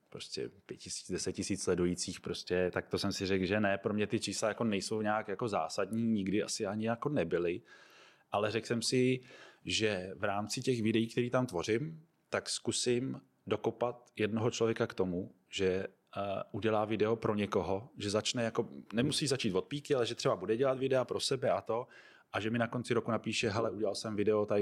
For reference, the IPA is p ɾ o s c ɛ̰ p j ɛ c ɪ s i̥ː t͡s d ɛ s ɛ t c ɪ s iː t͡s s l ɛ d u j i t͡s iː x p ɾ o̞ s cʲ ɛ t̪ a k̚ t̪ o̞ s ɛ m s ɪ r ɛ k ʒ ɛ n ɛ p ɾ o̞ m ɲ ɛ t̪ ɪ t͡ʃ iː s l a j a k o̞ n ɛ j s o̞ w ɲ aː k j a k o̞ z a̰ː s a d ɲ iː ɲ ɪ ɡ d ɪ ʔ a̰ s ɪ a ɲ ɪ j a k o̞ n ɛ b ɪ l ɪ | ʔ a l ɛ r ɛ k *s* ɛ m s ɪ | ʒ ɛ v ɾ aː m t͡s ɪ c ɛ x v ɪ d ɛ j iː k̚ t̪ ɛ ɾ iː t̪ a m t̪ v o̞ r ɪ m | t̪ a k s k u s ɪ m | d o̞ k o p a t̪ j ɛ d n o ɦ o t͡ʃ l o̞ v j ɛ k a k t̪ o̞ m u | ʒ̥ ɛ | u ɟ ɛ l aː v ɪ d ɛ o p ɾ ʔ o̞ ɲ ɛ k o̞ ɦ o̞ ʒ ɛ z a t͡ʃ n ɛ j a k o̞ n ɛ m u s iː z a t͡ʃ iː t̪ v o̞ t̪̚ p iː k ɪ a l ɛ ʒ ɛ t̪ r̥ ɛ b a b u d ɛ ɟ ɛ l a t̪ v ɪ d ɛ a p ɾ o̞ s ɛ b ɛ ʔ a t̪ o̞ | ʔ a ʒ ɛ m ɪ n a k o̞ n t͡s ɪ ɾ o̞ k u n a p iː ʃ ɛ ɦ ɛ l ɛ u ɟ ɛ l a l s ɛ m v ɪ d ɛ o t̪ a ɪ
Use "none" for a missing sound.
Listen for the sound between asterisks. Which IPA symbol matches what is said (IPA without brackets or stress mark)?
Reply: s